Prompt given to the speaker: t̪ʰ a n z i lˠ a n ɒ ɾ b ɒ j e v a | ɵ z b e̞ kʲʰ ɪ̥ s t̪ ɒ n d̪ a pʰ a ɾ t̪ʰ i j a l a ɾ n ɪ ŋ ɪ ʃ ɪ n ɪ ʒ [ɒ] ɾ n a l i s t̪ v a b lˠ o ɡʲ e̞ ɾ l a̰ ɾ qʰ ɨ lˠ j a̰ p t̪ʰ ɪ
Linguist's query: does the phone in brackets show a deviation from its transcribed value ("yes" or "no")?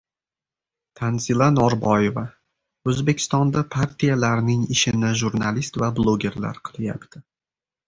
yes